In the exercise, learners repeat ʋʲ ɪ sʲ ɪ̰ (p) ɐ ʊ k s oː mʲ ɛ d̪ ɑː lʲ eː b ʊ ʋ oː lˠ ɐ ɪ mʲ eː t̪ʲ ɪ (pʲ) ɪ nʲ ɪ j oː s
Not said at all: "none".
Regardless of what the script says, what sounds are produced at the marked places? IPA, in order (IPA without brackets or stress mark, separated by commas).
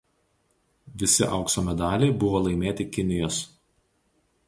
ʔ, kʲ